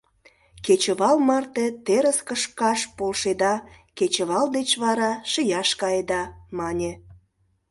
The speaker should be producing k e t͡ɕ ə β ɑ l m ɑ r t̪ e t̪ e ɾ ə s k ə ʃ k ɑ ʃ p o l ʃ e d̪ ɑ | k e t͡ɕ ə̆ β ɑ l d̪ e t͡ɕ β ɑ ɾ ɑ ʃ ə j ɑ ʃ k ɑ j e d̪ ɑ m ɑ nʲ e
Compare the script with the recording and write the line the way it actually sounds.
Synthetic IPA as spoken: k e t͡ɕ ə β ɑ l m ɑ r t̪ e t̪ e ɾ ə s k ə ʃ k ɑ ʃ p o l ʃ e d̪ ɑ | k e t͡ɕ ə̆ β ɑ l d̪ e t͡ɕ β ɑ ɾ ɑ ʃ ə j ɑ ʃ k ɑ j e d̪ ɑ m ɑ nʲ e